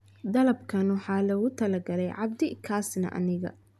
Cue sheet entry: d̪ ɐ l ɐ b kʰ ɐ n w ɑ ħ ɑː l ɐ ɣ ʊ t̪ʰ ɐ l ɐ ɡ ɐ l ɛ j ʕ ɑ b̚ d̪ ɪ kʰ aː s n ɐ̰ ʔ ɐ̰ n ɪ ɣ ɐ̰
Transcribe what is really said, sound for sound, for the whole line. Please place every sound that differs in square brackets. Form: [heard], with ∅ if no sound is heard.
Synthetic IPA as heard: d̪ ɐ l ɐ b kʰ ɐ n w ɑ ħ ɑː l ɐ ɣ ʊ t̪ʰ ɐ l ɐ ɡ ɐ l ɛ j ʕ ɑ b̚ d̪ ɪ kʰ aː s n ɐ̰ ʔ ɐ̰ n ɪ ɣ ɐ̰